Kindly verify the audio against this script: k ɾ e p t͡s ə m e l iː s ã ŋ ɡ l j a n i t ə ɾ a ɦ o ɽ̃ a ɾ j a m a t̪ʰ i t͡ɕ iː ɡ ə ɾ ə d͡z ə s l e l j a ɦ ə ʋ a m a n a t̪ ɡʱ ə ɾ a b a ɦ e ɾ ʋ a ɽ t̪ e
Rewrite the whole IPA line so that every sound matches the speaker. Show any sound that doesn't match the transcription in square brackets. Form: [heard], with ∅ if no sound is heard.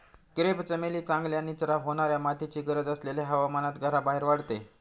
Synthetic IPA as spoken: k ɾ e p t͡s ə m e l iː [t͡s] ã ŋ ɡ l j a n i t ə ɾ a ɦ o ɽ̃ a ɾ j a m a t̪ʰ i t͡ɕ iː ɡ ə ɾ ə d͡z ə s l e l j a ɦ ə ʋ a m a n a t̪ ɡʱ ə ɾ a b a ɦ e ɾ ʋ a ɽ t̪ e